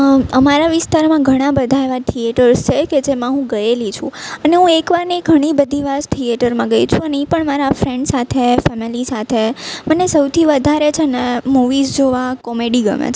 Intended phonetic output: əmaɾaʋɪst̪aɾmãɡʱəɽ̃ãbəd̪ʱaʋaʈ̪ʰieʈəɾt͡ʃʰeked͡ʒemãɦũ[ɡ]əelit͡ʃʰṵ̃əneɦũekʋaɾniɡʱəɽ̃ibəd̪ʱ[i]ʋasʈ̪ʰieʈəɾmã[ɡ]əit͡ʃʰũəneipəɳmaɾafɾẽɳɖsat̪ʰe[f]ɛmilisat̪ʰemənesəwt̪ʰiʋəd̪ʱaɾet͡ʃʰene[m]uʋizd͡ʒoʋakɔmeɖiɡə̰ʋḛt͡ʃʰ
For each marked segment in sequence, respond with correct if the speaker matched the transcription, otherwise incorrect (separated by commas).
correct, correct, correct, correct, correct